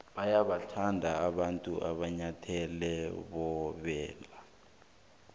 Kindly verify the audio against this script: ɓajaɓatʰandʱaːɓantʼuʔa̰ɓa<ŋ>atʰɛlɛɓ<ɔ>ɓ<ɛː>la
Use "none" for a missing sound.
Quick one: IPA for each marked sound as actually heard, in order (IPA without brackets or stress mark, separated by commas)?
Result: ɲ, ɔ, ɛː